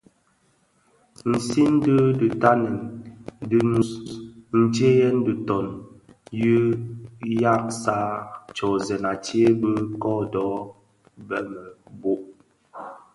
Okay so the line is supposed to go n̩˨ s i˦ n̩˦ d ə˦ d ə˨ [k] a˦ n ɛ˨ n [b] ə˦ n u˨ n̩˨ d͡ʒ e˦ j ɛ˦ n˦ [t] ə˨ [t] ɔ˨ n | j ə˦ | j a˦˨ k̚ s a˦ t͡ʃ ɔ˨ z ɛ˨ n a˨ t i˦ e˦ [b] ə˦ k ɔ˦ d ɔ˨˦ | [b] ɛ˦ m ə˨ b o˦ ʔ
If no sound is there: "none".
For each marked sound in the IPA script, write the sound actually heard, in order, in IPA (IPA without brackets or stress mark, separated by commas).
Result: t, d, d, t, b, b